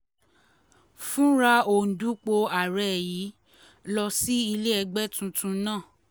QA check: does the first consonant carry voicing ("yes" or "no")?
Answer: no